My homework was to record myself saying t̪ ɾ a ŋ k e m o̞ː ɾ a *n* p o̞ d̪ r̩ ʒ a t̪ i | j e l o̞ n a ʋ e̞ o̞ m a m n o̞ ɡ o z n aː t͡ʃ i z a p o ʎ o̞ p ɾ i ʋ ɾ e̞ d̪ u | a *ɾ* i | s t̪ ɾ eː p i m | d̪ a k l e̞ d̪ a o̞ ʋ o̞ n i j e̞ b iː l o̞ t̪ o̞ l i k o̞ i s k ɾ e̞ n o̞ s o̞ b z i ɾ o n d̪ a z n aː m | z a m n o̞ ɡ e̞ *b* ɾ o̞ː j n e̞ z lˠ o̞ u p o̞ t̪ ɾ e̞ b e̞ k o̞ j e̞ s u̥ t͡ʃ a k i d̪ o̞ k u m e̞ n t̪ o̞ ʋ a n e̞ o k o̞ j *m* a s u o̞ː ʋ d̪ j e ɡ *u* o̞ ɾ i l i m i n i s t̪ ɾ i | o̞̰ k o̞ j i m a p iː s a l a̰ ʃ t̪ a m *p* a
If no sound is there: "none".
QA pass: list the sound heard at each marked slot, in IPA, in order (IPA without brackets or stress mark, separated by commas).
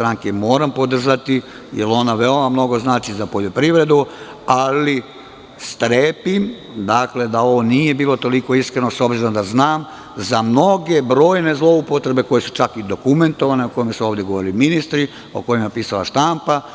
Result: m, l, b, m, o, p